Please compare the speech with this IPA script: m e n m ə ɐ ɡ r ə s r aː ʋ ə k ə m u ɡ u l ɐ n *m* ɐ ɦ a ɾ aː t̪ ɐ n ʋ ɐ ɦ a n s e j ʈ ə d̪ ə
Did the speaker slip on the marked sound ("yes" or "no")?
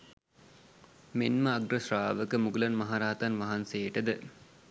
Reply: no